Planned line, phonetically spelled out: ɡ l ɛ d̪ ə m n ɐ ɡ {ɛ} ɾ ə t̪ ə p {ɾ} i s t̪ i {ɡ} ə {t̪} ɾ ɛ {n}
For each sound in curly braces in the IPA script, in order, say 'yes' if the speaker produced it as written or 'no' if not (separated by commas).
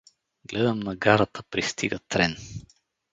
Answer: no, yes, yes, yes, yes